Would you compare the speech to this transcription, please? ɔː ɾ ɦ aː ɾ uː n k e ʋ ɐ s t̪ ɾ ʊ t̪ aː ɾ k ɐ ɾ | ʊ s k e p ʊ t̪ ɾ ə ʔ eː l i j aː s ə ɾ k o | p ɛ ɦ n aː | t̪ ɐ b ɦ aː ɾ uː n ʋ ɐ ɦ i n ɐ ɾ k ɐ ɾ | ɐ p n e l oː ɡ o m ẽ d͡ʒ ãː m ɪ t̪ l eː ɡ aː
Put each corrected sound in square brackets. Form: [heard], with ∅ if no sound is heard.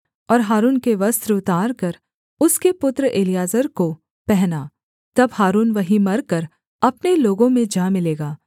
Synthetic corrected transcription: ɔː ɾ ɦ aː ɾ uː n k e ʋ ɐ s t̪ ɾ ʊ t̪ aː ɾ k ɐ ɾ | ʊ s k e p ʊ t̪ ɾ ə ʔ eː l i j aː [z] ə ɾ k o | p ɛ ɦ n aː | t̪ ɐ b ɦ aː ɾ uː n ʋ ɐ ɦ i [m] ɐ ɾ k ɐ ɾ | ɐ p n e l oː ɡ [õ] m ẽ d͡ʒ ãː m ɪ [∅] l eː ɡ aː